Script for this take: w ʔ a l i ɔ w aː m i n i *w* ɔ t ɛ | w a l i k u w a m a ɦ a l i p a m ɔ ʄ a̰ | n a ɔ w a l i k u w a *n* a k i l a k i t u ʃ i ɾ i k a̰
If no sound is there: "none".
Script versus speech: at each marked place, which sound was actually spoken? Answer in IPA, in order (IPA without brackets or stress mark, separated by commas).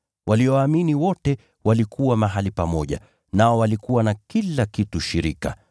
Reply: w, n